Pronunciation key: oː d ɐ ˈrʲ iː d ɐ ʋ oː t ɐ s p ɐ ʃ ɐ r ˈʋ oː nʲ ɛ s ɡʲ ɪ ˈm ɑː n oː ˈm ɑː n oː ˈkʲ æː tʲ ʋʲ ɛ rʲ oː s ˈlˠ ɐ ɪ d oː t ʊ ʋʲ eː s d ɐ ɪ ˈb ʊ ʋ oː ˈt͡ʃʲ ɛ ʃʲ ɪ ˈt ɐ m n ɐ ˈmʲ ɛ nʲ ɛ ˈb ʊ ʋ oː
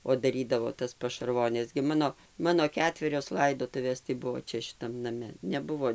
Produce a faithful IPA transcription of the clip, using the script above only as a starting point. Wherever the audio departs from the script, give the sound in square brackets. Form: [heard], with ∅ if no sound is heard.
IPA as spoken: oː d ɐ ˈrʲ iː d ɐ ʋ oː t ɐ s p ɐ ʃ ɐ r ˈʋ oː nʲ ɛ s ɡʲ ɪ ˈm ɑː n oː ˈm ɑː n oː ˈkʲ æː tʲ ʋʲ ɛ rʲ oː s ˈlˠ ɐ ɪ d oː t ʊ ʋʲ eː s [t] ɐ ɪ ˈb ʊ ʋ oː ˈt͡ʃʲ ɛ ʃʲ ɪ ˈt ɐ m n ɐ ˈmʲ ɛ nʲ ɛ ˈb ʊ ʋ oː